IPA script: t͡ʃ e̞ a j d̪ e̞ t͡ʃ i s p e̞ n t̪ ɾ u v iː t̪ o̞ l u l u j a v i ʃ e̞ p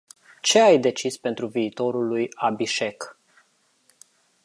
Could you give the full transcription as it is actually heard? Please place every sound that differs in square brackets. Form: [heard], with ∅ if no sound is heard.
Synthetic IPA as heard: t͡ʃ e̞ a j d̪ e̞ t͡ʃ i s p e̞ n t̪ ɾ u v iː t̪ o̞ [ɾ] u l u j a [b] i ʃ e̞ [k]